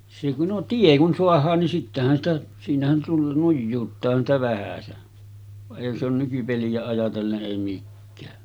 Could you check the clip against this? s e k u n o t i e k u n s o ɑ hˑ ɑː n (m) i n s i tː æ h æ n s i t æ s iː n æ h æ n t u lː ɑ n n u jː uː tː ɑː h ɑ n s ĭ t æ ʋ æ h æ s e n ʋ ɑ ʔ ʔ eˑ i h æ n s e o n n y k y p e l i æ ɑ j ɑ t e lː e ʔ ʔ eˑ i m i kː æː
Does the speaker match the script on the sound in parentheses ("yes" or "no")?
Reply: no